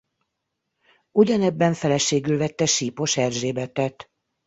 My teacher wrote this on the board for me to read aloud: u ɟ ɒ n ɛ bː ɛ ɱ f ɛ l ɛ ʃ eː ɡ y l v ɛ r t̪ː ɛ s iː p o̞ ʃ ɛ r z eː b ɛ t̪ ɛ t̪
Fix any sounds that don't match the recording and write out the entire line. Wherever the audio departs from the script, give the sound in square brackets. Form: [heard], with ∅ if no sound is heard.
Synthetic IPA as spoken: u ɟ ɒ n ɛ bː ɛ ɱ f ɛ l ɛ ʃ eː ɡ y l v ɛ [∅] t̪ː ɛ [ʃ] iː p o̞ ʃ ɛ r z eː b ɛ t̪ ɛ t̪